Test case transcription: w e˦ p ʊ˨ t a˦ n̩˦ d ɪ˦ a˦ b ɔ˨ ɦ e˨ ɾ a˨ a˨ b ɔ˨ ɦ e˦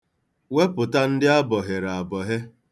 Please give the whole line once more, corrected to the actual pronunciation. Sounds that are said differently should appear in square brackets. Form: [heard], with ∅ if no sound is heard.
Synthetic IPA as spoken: w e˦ p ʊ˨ t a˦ n̩˦ d ɪ˦ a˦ b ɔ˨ ɦ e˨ ɾ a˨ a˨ b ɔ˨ ɦ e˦